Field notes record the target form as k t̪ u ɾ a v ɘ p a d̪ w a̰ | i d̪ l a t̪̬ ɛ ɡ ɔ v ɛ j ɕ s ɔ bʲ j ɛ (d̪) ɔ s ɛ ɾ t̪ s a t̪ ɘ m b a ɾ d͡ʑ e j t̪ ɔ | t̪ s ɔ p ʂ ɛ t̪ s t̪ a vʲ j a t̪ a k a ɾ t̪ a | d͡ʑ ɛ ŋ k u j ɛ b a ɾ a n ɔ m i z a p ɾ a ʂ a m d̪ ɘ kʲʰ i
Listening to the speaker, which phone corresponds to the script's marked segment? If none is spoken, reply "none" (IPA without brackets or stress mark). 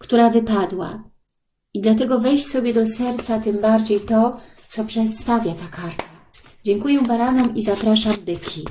d̪